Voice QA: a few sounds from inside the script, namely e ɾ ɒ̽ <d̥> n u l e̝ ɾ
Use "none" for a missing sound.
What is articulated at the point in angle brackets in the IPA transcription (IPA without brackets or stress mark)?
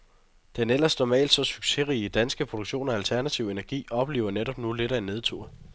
b̥